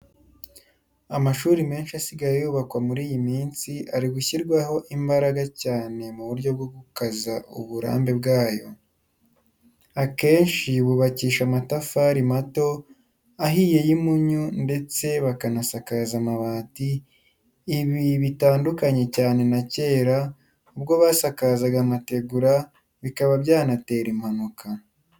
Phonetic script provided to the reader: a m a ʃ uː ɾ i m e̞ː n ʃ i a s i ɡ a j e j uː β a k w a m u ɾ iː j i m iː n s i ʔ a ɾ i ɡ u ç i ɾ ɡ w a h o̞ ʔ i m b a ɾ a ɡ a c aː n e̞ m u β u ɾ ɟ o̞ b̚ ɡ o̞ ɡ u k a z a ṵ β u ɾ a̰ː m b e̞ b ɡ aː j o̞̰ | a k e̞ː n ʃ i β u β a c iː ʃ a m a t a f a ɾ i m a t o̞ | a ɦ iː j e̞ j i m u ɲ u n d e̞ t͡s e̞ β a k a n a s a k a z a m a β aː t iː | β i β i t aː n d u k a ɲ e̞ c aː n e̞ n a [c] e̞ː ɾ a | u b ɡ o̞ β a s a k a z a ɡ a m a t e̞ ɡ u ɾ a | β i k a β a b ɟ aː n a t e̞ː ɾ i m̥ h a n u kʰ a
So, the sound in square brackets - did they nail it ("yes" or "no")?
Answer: yes